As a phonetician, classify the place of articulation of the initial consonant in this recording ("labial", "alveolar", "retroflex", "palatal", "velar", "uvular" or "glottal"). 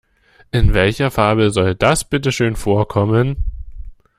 glottal